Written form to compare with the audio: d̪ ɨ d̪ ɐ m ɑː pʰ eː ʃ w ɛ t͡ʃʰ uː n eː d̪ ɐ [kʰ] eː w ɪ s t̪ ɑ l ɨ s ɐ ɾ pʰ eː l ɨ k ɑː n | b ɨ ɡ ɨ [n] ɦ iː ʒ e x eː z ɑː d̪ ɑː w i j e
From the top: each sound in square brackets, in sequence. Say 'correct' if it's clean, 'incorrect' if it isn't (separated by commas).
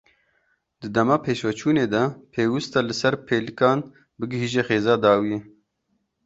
incorrect, incorrect